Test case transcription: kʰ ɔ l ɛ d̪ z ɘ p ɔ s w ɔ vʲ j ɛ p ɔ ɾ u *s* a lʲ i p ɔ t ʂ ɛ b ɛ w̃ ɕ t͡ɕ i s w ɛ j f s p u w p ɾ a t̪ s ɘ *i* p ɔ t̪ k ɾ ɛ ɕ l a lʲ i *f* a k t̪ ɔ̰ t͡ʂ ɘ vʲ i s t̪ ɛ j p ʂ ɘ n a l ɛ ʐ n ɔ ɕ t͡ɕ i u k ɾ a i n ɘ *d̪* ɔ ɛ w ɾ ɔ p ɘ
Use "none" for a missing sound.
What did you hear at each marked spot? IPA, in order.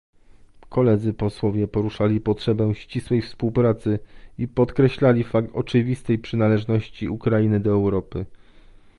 ʂ, i, f, d̪

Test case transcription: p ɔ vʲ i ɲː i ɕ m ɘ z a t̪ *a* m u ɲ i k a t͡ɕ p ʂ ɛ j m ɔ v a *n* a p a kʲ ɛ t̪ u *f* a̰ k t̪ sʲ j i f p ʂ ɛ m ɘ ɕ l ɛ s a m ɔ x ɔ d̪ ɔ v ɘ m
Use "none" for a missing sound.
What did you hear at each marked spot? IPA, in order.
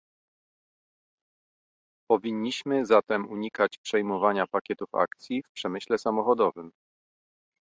ɛ, ɲ, f

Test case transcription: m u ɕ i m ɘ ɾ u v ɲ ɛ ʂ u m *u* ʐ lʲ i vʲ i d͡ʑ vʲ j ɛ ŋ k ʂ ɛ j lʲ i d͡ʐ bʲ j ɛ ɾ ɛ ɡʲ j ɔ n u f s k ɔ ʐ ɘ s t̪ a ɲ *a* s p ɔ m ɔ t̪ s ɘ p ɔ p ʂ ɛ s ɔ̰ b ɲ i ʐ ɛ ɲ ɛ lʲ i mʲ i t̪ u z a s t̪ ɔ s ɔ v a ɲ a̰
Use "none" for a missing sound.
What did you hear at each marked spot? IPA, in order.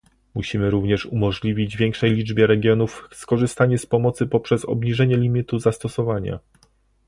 ɔ, ɛ

